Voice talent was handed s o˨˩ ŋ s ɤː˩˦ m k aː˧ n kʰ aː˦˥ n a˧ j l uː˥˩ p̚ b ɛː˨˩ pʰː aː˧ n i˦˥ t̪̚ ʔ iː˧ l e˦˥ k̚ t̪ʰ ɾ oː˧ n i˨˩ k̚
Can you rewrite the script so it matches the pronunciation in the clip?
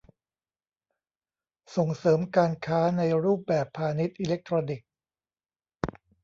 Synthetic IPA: s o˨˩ ŋ s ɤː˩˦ m k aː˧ n kʰ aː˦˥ n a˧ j ɾ uː˥˩ p̚ b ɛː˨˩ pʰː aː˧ n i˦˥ t̪̚ ʔ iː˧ l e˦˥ k̚ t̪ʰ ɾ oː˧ n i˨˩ k̚

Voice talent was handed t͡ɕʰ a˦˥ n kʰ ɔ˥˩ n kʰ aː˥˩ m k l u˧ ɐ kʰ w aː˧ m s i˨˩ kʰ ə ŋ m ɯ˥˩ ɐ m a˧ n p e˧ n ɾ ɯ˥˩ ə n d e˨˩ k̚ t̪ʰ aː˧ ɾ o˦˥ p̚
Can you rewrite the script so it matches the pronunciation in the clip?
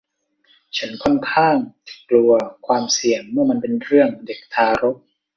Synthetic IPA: t͡ɕʰ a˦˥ n kʰ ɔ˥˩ n kʰ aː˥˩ ŋ k l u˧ ɐ kʰ w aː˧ m s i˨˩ ə ŋ m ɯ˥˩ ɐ m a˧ n p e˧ n ɾ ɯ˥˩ ə ŋ d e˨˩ k̚ t̪ʰ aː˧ ɾ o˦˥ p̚

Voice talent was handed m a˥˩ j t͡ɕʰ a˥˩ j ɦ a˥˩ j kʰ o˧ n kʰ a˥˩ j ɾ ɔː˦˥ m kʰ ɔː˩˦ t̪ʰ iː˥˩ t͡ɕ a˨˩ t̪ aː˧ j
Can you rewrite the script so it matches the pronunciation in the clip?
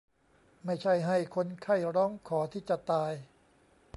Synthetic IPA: m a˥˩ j t͡ɕʰ a˥˩ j ɦ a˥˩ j kʰ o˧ n kʰ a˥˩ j ɾ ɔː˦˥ ŋ kʰ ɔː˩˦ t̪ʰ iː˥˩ t͡ɕ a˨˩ t̪ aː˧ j

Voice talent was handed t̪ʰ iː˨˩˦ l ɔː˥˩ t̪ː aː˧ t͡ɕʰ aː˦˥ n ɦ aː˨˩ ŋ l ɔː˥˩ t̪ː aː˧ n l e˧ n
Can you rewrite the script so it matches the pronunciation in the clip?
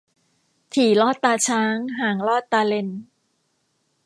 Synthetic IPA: t̪ʰ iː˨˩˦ l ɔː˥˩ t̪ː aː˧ t͡ɕʰ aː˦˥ ŋ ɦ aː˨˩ ŋ l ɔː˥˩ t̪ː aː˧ l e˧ n

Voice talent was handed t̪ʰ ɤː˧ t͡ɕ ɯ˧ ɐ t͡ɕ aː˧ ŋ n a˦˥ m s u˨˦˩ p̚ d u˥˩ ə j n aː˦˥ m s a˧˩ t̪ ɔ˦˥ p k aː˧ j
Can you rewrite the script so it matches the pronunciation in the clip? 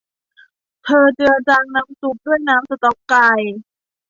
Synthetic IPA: t̪ʰ ɤː˧ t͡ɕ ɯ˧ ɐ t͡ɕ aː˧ ŋ n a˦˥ m s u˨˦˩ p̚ d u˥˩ ə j n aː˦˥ m s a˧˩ t̪ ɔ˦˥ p k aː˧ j

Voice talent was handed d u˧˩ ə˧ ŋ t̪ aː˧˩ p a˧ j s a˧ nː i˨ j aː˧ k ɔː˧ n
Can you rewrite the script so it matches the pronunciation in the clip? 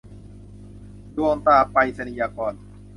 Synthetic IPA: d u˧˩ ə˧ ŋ t̪ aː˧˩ p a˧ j s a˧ n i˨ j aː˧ k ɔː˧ n

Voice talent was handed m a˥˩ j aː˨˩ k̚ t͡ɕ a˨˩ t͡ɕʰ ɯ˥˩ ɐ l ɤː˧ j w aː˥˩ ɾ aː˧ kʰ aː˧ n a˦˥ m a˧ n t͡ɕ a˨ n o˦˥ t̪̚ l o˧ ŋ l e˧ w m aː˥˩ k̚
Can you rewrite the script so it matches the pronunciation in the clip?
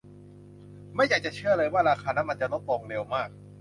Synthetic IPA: m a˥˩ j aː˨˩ k̚ t͡ɕ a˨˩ t͡ɕʰ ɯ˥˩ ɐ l ɤː˧ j w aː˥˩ ɾ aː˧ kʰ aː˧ n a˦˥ m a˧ n t͡ɕ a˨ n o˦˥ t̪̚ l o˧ ŋ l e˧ w m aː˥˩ k̚

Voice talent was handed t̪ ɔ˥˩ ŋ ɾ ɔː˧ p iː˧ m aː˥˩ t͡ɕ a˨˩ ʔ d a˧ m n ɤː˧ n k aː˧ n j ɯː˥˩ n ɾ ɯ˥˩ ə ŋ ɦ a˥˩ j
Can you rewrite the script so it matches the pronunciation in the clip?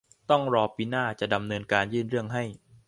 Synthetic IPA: t̪ ɔ˥˩ ŋ ɾ ɔː˧ p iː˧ n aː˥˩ t͡ɕ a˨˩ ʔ d a˧ m n ɤː˧ n k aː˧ n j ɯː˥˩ n ɾ ɯ˥˩ ə ŋ ɦ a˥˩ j

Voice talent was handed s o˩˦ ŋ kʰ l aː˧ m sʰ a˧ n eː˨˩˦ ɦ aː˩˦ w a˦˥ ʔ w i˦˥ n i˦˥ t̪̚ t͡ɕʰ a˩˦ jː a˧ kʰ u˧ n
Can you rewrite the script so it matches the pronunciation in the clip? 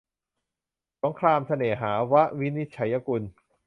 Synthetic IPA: s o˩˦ ŋ kʰ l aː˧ m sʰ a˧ n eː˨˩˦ ɦ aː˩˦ w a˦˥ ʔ w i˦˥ n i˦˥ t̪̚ t͡ɕʰ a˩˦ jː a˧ k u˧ n

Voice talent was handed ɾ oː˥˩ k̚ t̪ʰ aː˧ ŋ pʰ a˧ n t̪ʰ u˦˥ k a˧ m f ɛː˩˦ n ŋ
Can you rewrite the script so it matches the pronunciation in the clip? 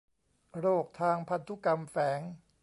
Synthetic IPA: ɾ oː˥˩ k̚ t̪ʰ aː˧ ŋ pʰ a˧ n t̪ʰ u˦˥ k a˧ m f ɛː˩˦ ŋ

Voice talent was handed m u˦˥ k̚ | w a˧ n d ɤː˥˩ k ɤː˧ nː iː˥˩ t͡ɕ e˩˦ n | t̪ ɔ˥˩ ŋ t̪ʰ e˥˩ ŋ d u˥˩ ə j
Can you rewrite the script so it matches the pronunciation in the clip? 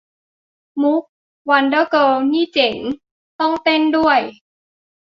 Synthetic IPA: m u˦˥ k̚ | w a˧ n d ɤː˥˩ k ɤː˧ n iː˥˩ t͡ɕ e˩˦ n | t̪ ɔ˥˩ ŋ t̪ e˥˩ n d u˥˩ ə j

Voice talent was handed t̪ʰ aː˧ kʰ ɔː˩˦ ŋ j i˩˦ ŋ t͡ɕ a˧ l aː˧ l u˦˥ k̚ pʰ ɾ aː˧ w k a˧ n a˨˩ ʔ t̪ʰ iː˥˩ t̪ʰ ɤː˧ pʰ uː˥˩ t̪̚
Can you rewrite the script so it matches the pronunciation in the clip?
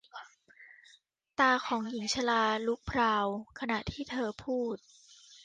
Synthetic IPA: t̪ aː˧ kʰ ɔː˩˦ ŋ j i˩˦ ŋ t͡ɕʰ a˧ l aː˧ l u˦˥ k̚ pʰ ɾ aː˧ w kʰ a˧ n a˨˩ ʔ t̪ʰ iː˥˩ t̪ʰ ɤː˧ pʰ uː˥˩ t̪̚

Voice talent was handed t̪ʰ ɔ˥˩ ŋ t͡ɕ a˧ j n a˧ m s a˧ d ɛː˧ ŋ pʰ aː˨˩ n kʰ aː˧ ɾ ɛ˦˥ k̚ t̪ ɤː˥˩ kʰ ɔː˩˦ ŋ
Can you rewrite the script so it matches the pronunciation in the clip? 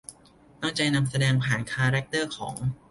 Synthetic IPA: t̪ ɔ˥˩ ŋ t͡ɕ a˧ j n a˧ m s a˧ d ɛː˧ ŋ pʰ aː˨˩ n kʰ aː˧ ɾ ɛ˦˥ k̚ t̪ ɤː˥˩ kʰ ɔː˩˦ ŋ

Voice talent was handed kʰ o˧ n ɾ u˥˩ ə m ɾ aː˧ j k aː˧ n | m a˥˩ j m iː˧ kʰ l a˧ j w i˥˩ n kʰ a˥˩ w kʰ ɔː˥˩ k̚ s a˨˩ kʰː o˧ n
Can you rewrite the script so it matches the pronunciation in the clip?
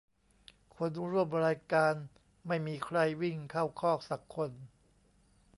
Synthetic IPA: kʰ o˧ n ɾ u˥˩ ə m ɾ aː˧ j k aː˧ n | m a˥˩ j m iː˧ kʰ ɾ a˧ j w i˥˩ ŋ kʰ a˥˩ w kʰ ɔː˥˩ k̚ s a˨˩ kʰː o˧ n

